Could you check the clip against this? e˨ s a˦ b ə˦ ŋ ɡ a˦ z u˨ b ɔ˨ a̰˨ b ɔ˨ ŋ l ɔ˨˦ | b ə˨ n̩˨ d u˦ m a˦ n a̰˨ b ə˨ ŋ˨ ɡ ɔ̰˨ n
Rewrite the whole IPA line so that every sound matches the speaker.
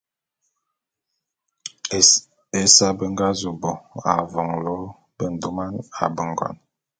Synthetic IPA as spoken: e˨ s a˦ b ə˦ ŋ ɡ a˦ z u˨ b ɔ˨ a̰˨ v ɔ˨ ŋ l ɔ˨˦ | b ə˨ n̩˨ d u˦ m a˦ n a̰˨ b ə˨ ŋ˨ ɡ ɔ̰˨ n